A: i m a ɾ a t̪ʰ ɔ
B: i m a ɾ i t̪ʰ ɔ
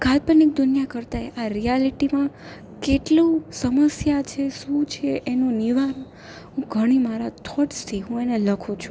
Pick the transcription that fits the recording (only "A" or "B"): A